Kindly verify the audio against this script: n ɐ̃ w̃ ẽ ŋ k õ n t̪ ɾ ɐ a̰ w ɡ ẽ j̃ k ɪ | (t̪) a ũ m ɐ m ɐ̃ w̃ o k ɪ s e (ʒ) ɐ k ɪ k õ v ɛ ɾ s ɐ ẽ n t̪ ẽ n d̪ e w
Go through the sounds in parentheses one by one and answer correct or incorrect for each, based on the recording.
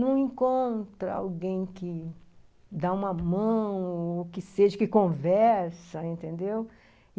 incorrect, correct

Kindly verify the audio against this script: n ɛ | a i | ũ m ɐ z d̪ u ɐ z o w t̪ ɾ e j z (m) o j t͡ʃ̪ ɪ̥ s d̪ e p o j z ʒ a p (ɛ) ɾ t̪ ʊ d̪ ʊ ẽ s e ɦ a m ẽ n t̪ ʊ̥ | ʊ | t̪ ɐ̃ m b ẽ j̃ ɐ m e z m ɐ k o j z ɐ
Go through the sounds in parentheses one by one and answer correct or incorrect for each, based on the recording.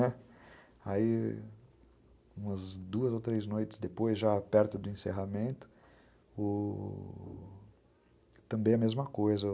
incorrect, correct

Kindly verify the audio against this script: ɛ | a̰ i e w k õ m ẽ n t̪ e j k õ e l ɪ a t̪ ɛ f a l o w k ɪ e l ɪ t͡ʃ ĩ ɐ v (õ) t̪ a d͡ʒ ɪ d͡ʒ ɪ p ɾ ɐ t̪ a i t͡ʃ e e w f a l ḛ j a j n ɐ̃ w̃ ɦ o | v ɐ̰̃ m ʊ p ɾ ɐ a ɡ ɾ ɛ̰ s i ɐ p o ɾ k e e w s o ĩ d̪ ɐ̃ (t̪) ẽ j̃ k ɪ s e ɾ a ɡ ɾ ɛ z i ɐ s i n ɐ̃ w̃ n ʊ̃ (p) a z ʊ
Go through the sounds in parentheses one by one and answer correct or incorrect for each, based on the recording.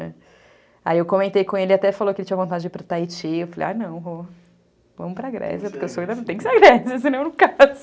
correct, correct, incorrect

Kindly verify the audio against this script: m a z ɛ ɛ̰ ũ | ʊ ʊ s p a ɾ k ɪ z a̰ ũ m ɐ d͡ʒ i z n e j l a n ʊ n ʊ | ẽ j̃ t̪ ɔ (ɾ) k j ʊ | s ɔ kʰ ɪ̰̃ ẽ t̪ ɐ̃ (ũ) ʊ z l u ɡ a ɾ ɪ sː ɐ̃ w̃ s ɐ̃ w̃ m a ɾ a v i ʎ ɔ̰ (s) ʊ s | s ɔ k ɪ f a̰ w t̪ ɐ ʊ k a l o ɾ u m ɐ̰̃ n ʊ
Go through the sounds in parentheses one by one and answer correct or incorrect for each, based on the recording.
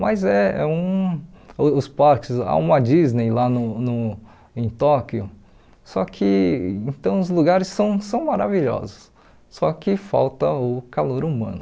incorrect, incorrect, incorrect

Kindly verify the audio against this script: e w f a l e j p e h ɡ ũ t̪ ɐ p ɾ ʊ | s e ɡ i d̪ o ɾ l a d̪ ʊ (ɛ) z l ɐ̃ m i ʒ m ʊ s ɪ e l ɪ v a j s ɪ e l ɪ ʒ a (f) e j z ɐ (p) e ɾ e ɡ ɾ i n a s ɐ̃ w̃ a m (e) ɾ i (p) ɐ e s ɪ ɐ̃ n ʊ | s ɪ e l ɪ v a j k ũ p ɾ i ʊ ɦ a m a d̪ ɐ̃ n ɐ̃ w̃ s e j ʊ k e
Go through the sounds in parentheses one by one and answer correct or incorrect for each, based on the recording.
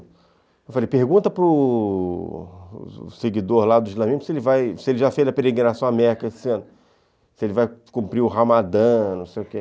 incorrect, correct, correct, incorrect, incorrect

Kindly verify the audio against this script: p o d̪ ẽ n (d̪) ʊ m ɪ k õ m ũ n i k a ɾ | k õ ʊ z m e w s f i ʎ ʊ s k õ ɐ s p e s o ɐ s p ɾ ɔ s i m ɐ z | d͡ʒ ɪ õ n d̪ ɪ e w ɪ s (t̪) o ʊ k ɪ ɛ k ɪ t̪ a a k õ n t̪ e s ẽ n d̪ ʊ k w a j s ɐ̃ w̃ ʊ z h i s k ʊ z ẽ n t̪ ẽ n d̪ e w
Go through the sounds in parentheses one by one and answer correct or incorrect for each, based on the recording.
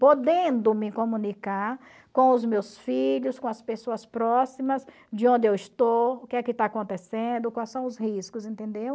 correct, correct

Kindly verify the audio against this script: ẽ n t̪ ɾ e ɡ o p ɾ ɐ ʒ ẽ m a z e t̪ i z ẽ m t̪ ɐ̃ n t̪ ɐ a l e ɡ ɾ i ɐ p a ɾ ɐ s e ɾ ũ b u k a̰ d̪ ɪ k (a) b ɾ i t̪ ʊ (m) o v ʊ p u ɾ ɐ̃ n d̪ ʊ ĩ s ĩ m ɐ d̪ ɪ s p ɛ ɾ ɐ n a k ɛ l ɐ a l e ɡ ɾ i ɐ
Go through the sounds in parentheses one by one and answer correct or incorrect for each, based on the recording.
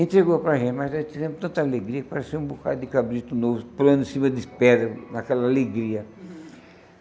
correct, incorrect

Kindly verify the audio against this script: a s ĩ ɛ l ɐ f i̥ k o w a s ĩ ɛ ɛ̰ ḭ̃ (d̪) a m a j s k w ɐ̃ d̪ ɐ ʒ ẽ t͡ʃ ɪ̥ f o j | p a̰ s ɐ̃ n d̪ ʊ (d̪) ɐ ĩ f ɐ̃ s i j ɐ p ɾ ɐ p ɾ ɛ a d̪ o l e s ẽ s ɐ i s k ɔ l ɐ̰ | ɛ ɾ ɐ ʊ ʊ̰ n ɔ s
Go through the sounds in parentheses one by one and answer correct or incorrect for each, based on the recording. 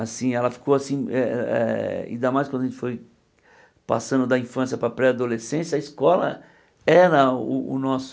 correct, correct

